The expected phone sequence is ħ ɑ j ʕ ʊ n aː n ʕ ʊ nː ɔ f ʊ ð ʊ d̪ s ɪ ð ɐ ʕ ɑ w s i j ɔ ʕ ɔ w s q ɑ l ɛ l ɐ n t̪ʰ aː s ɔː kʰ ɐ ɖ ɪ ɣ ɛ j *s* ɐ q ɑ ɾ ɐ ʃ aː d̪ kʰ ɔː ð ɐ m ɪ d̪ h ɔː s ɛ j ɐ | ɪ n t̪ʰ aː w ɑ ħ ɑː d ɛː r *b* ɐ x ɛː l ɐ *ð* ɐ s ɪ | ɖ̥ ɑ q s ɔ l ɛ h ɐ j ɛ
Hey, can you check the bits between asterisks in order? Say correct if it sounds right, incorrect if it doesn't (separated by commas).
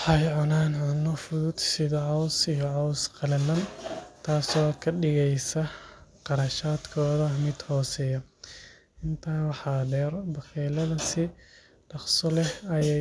correct, correct, correct